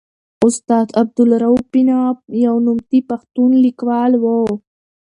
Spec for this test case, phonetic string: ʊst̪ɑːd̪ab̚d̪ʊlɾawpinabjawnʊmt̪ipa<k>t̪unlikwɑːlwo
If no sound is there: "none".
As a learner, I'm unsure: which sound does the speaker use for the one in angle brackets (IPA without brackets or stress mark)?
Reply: x